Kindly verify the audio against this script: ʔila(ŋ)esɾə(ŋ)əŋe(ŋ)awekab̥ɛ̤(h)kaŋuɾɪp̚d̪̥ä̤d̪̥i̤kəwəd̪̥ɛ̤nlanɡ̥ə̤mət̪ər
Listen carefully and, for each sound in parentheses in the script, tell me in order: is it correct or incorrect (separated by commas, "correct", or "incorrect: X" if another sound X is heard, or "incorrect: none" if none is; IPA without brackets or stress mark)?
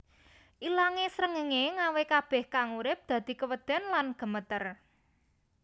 correct, correct, correct, correct